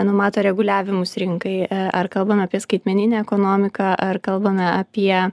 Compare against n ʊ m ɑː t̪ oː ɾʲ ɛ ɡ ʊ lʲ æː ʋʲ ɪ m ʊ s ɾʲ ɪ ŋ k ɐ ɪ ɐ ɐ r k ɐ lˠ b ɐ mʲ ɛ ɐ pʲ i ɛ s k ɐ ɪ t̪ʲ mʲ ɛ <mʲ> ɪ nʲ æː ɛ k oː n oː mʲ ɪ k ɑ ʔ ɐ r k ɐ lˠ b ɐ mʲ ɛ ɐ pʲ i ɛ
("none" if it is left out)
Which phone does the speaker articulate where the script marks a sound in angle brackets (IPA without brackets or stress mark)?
nʲ